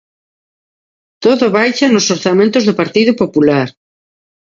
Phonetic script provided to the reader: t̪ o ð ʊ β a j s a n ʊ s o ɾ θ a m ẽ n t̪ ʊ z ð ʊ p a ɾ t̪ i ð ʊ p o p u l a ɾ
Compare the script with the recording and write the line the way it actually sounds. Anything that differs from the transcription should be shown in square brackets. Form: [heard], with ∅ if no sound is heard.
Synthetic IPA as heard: t̪ o ð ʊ β a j [ʃ] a n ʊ s o ɾ θ a m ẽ n t̪ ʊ z ð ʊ p a ɾ t̪ i ð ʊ p o p u l a ɾ